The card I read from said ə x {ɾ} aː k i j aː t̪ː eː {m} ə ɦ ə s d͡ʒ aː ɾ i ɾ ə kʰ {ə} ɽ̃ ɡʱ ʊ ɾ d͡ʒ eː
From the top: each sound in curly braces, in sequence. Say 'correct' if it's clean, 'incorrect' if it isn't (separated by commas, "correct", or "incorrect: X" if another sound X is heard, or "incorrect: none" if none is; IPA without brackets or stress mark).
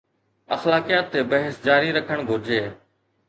incorrect: l, incorrect: b, correct